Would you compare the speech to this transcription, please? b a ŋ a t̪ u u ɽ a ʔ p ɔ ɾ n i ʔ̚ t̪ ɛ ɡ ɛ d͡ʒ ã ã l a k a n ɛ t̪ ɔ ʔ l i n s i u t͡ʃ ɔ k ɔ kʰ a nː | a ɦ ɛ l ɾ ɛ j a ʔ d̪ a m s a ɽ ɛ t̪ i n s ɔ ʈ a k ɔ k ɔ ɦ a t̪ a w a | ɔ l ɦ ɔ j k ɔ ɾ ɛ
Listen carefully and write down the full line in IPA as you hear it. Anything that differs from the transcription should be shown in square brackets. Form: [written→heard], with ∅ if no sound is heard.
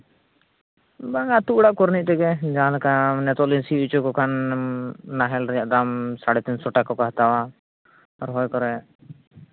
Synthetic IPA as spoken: b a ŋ a t̪ u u ɽ a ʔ [p→k] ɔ ɾ n i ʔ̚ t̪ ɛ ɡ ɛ d͡ʒ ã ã l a k a n ɛ t̪ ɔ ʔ l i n s i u t͡ʃ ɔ k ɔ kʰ a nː | a ɦ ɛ l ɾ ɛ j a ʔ d̪ a m s a ɽ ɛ t̪ i n s ɔ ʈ a k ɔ k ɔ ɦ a t̪ a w a | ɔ [l→ɾ] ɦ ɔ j k ɔ ɾ ɛ